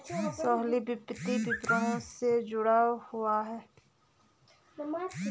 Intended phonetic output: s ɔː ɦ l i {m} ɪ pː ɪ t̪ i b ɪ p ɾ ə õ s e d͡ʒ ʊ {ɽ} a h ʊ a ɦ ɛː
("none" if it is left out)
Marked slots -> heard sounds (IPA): b, ɽ

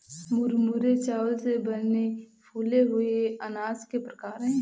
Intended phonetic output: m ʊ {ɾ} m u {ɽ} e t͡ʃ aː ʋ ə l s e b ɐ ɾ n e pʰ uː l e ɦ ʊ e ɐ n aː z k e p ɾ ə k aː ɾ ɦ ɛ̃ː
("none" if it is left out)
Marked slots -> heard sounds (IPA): ɾ, ɾ

